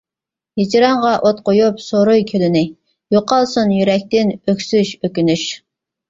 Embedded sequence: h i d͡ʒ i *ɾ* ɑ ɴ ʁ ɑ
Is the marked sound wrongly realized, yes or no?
no